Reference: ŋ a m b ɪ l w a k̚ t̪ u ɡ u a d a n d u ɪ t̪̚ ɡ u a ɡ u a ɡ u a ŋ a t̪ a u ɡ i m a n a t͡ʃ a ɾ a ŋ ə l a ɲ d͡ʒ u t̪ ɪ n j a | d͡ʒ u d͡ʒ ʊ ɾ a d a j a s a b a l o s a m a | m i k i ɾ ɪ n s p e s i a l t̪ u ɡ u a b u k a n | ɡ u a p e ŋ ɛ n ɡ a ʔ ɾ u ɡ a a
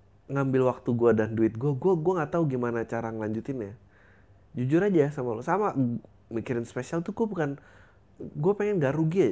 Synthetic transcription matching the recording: ŋ a m b ɪ l w a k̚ t̪ u ɡ u a d a n d u ɪ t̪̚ ɡ u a ɡ u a ɡ u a ŋ a t̪ a u ɡ i m a n a t͡ʃ a ɾ a ŋ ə l a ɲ d͡ʒ u t̪ ɪ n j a | d͡ʒ u d͡ʒ ʊ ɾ a d͡ʒ a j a s a m a l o s a m a | m i k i ɾ ɪ n s p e s i a l t̪ u ɡ u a b u k a n | ɡ u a p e ŋ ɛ n ɡ a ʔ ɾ u ɡ i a